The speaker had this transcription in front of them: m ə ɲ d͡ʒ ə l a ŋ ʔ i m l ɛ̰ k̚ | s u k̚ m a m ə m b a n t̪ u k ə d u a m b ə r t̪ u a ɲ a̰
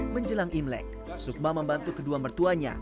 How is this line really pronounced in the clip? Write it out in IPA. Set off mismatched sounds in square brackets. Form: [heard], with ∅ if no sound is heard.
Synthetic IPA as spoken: m ə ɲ d͡ʒ ə l a ŋ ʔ i m l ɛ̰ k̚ | s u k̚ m a m ə m b a n t̪ u k ə d u a m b ə r t̪ u a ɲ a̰